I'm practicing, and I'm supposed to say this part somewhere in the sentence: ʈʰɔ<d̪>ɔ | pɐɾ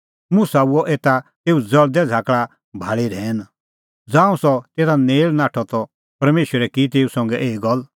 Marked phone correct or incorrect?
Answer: incorrect: t̪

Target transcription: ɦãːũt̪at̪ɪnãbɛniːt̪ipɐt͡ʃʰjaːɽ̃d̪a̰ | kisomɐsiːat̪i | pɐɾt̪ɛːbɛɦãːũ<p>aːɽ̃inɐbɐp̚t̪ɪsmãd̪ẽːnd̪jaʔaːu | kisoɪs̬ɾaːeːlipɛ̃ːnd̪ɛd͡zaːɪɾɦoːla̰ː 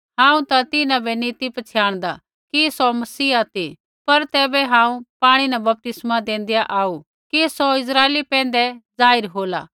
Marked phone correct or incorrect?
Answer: correct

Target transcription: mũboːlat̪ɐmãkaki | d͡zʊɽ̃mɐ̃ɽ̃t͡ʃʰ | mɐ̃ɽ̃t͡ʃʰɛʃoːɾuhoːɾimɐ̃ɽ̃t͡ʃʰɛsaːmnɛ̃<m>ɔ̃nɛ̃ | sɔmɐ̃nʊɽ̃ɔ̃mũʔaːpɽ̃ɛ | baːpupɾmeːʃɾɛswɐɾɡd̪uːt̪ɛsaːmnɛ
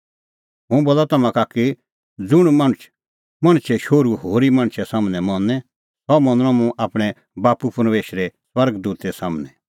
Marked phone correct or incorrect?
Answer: correct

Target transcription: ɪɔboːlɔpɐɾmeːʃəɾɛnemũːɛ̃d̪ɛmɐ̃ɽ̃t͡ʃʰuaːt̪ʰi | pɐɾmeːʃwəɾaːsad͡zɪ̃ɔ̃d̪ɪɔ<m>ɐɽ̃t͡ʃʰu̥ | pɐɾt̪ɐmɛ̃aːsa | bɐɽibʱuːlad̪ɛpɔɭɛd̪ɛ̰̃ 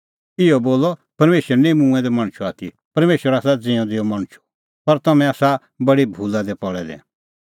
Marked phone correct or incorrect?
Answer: correct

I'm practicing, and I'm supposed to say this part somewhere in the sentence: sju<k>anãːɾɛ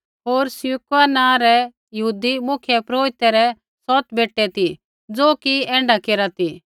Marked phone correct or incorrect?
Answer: correct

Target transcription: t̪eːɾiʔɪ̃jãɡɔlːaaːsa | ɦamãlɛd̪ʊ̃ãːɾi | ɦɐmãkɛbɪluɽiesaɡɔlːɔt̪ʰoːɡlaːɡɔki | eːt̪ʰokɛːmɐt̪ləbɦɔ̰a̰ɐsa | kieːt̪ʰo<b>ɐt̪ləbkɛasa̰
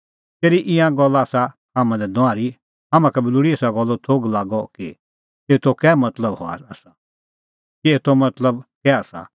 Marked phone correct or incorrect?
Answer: incorrect: m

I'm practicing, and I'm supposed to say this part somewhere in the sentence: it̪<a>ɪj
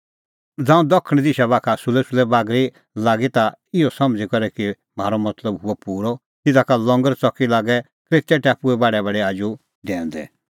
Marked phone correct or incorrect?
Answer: correct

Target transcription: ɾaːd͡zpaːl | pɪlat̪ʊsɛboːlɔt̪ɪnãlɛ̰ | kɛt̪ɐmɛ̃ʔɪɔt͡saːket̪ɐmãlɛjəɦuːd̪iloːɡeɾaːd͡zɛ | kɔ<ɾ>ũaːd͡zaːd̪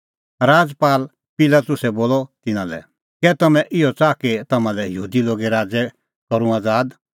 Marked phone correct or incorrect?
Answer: correct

